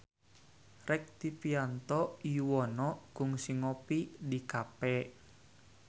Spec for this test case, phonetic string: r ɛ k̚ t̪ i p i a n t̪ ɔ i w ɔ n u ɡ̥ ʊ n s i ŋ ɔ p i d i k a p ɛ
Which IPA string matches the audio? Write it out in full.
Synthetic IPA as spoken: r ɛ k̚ t̪ i p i a n t̪ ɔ i w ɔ n ɔ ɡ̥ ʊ ŋ s i ŋ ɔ p i d i k a p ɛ